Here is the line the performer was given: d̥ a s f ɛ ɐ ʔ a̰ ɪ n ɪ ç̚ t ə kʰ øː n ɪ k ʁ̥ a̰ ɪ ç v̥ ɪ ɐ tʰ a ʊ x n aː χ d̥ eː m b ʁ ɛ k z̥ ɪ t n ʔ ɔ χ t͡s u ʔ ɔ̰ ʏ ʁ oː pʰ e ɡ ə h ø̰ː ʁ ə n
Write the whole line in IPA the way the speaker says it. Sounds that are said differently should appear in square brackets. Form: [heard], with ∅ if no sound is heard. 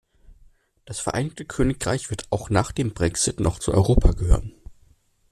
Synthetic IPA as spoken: d̥ a s f ɛ ɐ ʔ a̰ ɪ n ɪ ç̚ t ə kʰ øː n ɪ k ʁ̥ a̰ ɪ ç v̥ ɪ ɐ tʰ a ʊ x n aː χ d̥ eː m b ʁ ɛ k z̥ ɪ t n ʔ ɔ χ t͡s u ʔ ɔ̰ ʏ ʁ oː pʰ [a] ɡ ə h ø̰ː ʁ ə n